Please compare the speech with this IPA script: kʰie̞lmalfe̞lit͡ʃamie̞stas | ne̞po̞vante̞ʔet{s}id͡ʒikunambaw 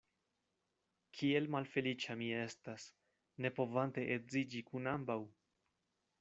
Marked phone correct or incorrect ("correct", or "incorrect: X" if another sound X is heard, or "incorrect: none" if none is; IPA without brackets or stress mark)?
incorrect: z